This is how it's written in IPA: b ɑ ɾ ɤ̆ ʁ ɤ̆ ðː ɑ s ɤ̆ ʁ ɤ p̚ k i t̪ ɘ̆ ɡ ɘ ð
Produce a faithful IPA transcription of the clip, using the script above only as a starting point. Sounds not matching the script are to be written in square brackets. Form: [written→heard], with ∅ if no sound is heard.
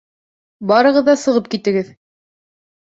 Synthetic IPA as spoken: b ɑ ɾ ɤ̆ ʁ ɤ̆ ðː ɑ s ɤ̆ ʁ ɤ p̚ k i t̪ ɘ̆ ɡ ɘ ð